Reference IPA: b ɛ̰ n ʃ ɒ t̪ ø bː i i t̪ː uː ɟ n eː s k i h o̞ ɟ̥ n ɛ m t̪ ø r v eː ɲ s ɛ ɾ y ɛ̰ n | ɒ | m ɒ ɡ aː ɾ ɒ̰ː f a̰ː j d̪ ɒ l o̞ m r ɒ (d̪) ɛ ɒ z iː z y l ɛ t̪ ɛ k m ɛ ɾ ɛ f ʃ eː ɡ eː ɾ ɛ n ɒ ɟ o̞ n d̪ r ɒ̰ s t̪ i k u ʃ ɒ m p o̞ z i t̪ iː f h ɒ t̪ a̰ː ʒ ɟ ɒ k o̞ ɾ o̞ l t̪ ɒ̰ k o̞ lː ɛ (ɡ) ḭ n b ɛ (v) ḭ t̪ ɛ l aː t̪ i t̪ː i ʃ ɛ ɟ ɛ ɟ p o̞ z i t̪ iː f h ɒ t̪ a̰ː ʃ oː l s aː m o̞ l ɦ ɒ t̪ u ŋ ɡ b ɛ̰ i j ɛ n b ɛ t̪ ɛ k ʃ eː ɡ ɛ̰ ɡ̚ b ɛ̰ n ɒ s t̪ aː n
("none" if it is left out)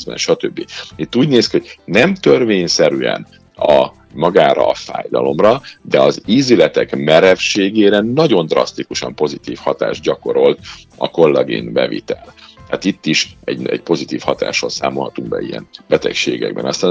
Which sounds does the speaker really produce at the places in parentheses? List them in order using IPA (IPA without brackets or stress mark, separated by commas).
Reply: d̪, ɡ, v